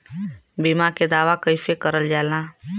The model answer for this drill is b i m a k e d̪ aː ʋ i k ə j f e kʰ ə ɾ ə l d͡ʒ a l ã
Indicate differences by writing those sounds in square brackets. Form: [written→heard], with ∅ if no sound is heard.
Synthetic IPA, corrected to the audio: b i m a k e d̪ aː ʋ [i→a] k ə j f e [kʰ→k] ə ɾ ə l d͡ʒ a l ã